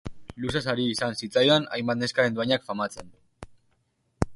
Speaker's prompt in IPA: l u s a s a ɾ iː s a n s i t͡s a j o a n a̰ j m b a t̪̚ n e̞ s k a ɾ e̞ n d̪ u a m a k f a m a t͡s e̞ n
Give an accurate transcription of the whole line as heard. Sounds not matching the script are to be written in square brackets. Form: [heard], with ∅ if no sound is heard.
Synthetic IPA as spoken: l u s a s a ɾ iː s a n s i t͡s a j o a n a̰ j m b a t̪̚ n e̞ s k a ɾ e̞ n d̪ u a [ɲ] a k f a m a t͡s e̞ n